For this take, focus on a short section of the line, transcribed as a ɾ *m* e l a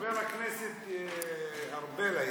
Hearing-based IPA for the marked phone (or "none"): b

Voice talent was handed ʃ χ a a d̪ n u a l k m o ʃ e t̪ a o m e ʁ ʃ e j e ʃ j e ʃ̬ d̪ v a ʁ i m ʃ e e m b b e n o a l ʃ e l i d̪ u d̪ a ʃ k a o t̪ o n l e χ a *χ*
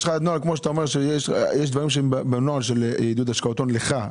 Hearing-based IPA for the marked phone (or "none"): none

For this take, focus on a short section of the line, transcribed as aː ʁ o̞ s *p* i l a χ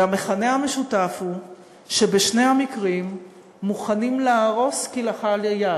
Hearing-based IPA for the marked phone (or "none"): k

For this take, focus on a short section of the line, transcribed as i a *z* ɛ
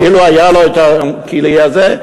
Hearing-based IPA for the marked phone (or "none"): z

